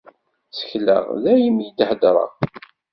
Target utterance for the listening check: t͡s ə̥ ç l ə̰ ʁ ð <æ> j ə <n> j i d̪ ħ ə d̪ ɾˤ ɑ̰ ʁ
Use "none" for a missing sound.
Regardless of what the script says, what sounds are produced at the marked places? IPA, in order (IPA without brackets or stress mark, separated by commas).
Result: æ, m